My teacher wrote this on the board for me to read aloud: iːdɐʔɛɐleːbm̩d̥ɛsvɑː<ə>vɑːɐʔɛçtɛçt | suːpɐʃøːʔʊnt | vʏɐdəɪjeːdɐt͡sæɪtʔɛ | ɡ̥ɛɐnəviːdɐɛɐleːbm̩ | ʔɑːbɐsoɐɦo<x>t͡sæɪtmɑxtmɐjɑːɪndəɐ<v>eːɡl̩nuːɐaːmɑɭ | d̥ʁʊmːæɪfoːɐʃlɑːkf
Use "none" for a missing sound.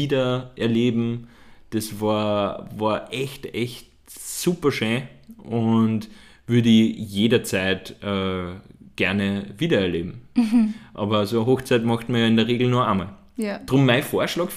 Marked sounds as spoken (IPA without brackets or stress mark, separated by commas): ɐ, x, ʁ